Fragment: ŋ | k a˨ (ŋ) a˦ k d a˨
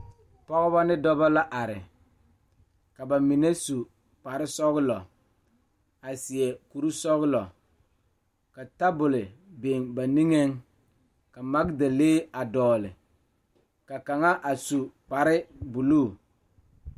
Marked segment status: incorrect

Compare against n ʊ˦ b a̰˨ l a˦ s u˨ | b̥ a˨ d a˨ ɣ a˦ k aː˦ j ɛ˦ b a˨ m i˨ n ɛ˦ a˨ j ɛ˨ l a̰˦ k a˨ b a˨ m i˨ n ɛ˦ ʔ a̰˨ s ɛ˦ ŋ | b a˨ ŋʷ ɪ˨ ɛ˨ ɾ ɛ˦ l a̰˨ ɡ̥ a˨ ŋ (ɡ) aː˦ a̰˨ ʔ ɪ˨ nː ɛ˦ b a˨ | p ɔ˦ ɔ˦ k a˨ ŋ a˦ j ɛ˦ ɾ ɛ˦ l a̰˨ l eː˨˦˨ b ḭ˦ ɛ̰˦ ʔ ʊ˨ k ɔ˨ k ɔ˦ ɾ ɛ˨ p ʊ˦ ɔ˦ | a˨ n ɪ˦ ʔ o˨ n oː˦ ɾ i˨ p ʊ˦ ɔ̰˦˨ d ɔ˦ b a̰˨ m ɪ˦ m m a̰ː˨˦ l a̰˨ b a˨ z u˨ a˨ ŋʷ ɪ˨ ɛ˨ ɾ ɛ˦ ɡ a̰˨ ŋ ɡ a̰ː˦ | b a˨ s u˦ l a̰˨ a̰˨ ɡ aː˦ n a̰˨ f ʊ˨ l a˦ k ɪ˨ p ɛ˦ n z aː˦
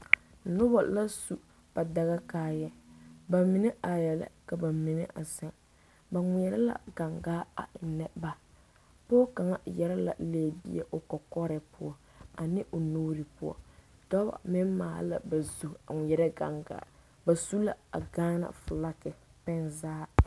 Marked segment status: correct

